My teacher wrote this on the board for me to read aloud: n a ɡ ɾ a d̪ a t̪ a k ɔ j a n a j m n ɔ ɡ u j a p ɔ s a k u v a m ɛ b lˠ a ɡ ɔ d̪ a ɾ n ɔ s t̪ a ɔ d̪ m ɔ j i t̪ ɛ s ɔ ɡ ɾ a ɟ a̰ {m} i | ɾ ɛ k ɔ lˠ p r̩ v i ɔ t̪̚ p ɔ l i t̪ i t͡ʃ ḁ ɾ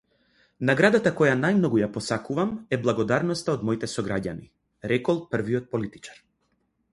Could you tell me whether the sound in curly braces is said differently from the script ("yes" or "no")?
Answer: yes